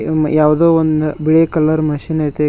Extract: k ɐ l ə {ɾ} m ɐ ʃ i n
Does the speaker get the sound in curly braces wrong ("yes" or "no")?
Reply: no